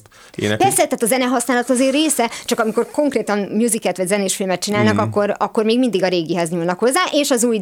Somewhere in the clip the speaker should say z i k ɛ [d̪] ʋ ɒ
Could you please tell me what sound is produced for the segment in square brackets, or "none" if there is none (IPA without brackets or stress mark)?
t̪